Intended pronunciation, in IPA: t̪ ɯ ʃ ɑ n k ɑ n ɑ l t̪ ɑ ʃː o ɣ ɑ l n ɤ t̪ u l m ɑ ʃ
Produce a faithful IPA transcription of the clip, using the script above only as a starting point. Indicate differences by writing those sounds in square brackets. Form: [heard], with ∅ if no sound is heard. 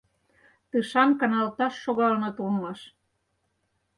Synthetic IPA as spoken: t̪ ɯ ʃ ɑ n k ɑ n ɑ l t̪ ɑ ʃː o ɣ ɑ l n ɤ t̪ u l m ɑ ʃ